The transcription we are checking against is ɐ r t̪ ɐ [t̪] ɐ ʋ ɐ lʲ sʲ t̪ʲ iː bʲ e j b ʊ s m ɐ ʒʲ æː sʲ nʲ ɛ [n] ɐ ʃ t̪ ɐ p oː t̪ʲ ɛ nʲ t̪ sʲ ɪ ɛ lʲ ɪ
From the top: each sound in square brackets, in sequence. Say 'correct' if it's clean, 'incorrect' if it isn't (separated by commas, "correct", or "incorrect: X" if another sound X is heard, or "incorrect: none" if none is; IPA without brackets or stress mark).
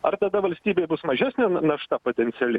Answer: incorrect: d̪, correct